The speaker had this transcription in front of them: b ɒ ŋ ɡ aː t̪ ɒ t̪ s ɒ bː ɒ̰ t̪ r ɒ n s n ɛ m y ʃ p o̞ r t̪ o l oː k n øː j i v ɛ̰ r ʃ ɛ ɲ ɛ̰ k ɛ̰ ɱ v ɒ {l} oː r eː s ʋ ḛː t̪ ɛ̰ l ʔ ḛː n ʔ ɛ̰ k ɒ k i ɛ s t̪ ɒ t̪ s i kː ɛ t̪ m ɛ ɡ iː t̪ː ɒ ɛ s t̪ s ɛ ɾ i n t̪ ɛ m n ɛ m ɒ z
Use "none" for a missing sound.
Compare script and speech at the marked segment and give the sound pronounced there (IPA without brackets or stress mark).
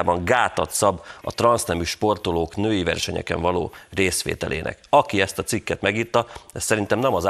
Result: l